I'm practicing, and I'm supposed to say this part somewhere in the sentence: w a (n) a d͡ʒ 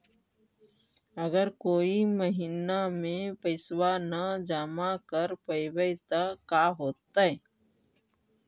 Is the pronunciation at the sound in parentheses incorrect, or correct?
correct